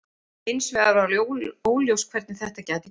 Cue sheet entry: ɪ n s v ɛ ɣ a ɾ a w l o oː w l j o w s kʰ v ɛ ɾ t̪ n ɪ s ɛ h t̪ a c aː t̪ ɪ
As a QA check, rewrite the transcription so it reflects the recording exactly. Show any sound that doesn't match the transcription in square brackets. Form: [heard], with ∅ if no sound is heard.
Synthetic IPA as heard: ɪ n s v ɛ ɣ a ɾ a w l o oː w l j o w s kʰ v ɛ ɾ t̪ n ɪ [θ] ɛ h t̪ a c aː t̪ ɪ